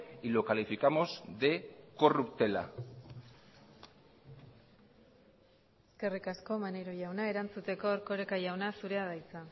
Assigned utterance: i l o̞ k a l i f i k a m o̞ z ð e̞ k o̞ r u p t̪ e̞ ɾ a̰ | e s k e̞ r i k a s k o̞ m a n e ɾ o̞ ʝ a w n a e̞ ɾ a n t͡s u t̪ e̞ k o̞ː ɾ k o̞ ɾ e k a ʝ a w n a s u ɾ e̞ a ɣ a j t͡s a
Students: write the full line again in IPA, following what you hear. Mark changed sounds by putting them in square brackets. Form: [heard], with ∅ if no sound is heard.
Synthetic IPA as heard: i l o̞ k a l i f i k a m o̞ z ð e̞ k o̞ r u p t̪ e̞ [l] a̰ | e s k e̞ r i k a s k o̞ m a n e ɾ o̞ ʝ a w n a e̞ ɾ a n t͡s u t̪ e̞ k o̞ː ɾ k o̞ ɾ e k a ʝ a w n a s u ɾ e̞ a [ð] a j t͡s a